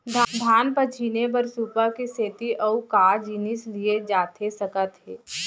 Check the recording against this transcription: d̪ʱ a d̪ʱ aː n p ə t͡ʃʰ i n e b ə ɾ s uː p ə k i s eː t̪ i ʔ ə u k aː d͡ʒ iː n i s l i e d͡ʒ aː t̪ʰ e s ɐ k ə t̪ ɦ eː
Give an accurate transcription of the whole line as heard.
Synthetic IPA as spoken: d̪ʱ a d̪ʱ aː n p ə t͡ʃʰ i n e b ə ɾ s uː p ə k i s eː t̪ i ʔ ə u k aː d͡ʒ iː n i s l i e d͡ʒ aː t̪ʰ e s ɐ k ə t̪ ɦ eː